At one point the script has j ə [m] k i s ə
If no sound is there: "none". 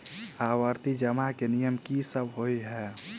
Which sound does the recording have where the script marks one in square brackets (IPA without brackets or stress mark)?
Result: m